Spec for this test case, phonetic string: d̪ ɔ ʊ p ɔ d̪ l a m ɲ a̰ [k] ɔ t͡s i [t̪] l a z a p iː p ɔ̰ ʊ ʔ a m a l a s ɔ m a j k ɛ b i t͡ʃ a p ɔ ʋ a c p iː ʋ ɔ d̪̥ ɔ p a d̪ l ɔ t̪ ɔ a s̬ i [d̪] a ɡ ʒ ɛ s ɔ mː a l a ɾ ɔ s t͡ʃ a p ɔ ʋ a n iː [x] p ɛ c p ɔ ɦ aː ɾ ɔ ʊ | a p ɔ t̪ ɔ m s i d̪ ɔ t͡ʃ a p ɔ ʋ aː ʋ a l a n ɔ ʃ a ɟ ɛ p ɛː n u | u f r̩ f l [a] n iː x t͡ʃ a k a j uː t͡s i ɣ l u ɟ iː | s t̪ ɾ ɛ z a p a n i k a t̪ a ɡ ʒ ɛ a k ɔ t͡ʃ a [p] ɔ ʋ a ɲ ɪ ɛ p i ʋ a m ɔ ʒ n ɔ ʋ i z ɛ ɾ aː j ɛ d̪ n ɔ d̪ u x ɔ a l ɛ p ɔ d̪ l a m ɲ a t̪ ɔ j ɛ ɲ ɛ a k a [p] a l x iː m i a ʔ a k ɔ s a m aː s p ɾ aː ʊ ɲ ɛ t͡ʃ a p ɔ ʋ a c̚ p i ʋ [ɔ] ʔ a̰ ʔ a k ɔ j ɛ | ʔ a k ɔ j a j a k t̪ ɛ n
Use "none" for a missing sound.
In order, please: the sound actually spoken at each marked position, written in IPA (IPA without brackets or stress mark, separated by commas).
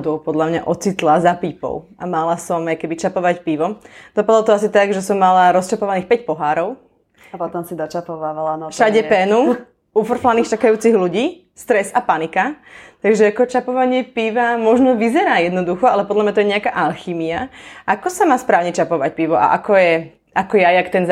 ʔ, t̪, t̪, x, a, p, ʔ, ɔ